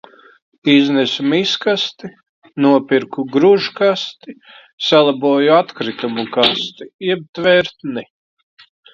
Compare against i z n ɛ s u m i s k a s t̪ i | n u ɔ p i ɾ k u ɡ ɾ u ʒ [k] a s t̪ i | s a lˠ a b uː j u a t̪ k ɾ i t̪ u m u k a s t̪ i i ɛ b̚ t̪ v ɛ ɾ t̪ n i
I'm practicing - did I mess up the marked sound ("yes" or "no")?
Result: no